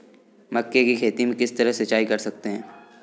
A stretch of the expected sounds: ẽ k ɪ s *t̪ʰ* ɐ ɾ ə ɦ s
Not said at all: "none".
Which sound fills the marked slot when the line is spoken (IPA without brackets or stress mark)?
t̪